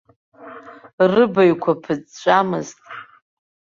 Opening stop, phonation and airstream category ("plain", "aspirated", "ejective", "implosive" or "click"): plain